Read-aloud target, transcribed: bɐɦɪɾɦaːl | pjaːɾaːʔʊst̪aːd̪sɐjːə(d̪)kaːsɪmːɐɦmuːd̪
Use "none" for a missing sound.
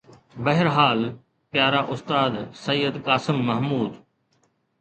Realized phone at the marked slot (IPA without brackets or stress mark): d̪